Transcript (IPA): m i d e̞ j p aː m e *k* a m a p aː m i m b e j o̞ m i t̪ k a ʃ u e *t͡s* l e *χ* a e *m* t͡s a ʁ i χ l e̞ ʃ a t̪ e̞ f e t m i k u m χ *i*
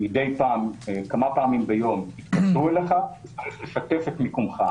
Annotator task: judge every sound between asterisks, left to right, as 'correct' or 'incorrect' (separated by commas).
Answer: correct, incorrect, correct, incorrect, incorrect